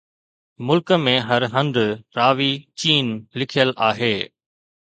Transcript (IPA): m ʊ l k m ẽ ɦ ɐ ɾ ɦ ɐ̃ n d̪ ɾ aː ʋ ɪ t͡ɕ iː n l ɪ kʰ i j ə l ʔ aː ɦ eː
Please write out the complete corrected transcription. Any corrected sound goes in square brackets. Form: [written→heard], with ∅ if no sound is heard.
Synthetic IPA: m ʊ l k m ẽ ɦ ɐ ɾ ɦ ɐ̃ n d̪ ɾ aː ʋ [ɪ→i] t͡ɕ iː n l ɪ kʰ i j ə l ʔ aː ɦ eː